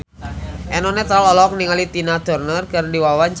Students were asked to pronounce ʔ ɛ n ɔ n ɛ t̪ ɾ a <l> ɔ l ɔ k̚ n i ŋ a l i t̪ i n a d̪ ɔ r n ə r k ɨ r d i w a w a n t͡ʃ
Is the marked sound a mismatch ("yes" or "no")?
no